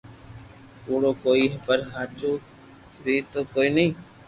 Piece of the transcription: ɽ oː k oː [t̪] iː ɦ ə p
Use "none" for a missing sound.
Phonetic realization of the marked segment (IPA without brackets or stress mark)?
none